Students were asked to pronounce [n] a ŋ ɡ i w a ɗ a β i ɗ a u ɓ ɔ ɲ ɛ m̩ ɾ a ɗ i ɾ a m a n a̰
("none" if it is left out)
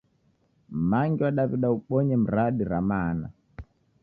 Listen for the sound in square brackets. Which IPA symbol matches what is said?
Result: m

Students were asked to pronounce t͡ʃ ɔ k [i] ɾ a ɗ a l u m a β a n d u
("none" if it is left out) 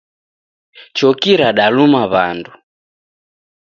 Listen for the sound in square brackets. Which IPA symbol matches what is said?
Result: i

